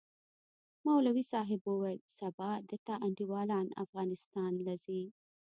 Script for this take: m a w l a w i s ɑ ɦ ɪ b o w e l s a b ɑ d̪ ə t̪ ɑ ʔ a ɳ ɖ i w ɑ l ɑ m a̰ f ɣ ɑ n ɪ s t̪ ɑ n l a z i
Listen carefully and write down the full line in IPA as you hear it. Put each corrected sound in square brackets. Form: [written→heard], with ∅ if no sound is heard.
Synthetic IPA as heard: m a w l a w i s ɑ ɦ ɪ b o w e l s a b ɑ d̪ ə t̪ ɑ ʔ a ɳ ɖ i w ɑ l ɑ [m→n] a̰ f ɣ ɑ n ɪ s t̪ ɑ n l a z i